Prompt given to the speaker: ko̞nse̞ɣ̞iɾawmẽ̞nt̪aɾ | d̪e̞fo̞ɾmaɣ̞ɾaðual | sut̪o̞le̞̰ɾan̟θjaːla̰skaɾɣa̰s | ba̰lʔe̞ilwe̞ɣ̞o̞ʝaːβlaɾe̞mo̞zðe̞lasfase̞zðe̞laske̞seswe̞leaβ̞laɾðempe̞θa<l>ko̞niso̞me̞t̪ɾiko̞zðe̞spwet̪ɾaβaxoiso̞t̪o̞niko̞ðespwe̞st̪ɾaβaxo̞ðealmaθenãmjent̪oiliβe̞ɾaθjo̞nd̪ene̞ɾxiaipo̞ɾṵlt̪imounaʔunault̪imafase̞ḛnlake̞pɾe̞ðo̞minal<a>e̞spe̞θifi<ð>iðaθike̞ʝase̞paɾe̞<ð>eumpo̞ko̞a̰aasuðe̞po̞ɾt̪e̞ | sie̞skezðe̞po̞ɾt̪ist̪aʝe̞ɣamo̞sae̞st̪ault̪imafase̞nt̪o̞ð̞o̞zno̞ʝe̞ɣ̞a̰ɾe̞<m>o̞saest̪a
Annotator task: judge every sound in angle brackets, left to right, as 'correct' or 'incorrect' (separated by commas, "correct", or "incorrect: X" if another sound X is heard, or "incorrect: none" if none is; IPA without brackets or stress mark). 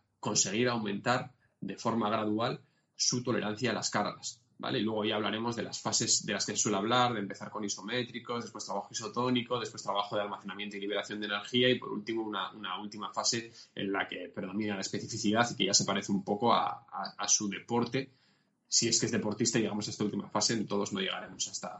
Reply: incorrect: ɾ, correct, incorrect: θ, incorrect: θ, correct